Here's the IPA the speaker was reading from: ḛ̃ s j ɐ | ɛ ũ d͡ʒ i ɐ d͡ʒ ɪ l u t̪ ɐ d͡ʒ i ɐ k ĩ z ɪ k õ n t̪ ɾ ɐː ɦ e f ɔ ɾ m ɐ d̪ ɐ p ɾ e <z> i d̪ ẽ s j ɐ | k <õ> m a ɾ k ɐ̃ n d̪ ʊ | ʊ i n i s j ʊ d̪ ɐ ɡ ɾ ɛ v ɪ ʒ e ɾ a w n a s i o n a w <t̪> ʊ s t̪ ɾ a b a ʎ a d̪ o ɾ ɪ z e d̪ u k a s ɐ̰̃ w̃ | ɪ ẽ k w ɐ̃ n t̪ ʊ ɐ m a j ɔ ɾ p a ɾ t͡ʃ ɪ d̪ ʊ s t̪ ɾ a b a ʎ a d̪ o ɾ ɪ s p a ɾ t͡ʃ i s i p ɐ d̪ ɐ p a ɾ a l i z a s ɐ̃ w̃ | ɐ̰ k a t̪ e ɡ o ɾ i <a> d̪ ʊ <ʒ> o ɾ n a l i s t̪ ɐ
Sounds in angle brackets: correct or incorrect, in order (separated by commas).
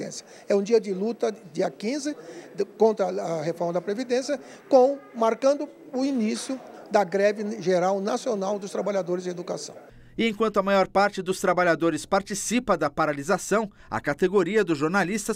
incorrect, correct, incorrect, incorrect, correct